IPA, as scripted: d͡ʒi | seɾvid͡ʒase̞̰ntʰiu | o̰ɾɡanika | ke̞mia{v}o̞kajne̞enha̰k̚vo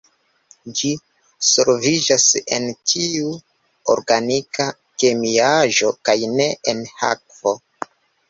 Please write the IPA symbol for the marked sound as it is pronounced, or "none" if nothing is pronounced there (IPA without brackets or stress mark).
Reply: ʒ